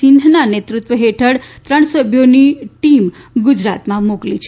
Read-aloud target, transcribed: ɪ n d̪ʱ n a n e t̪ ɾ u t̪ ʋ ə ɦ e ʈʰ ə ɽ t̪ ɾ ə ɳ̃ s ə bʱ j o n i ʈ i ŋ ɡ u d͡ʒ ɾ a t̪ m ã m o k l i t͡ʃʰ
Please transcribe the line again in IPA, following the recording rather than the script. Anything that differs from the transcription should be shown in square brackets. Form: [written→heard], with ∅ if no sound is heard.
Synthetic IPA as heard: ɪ n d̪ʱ n a n e t̪ ɾ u t̪ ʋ ə ɦ e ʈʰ ə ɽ t̪ ɾ ə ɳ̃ s ə bʱ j o n i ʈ i [ŋ→m] ɡ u d͡ʒ ɾ a t̪ m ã m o k l i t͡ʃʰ